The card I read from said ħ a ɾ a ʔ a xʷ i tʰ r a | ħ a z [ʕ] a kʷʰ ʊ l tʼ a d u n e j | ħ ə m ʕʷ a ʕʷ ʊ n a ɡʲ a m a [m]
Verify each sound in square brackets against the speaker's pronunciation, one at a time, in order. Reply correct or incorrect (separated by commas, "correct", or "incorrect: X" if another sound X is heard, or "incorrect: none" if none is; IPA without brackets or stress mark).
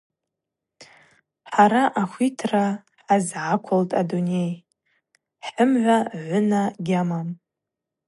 correct, correct